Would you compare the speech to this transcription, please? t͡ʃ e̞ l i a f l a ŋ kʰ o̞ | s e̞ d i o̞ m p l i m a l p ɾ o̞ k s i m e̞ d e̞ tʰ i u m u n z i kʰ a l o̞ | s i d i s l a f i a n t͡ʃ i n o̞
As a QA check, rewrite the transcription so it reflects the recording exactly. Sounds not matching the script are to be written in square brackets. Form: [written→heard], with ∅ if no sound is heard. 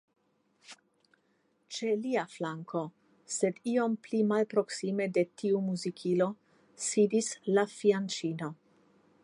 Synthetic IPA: t͡ʃ e̞ l i a f l a ŋ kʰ o̞ | s e̞ d i o̞ m p l i m a l p ɾ o̞ k s i m e̞ d e̞ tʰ i u m u [n→∅] z i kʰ [a→i] l o̞ | s i d i s l a f i a n t͡ʃ i n o̞